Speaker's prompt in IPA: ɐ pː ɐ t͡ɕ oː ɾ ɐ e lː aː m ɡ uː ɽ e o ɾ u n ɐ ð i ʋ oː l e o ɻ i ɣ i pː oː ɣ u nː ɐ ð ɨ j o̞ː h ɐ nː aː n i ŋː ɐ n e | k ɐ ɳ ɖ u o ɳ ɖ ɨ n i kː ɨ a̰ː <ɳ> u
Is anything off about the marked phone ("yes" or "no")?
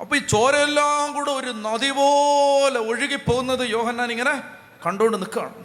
no